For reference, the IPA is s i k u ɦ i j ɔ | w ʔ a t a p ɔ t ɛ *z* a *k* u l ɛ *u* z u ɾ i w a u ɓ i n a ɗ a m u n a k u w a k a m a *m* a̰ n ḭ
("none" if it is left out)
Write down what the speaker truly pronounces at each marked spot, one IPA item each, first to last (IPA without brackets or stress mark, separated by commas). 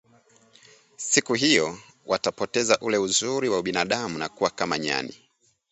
z, ʔ, u, ɲ